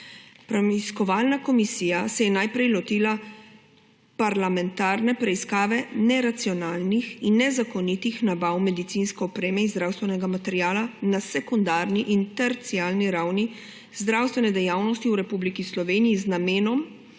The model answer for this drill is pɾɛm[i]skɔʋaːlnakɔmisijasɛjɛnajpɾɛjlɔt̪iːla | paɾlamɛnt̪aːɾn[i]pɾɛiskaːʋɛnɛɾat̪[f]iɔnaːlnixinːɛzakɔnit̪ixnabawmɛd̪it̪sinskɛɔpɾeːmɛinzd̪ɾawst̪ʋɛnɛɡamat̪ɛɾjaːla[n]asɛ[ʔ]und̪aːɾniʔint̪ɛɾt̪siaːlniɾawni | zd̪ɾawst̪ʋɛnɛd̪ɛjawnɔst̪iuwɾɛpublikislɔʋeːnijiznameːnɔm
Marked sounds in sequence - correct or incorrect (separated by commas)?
correct, incorrect, incorrect, correct, incorrect